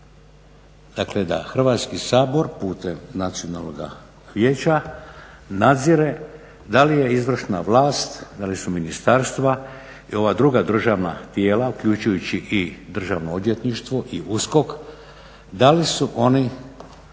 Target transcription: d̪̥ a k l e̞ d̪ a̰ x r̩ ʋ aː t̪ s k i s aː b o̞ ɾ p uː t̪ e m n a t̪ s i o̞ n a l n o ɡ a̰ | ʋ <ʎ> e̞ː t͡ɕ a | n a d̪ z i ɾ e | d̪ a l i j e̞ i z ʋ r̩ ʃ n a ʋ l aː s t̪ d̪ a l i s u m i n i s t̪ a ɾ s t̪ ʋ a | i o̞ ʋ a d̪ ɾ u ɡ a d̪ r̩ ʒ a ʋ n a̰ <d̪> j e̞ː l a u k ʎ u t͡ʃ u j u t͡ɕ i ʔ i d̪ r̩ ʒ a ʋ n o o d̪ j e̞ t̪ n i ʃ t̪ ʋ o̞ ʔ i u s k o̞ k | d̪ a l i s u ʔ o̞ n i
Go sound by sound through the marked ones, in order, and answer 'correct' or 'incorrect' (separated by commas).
incorrect, incorrect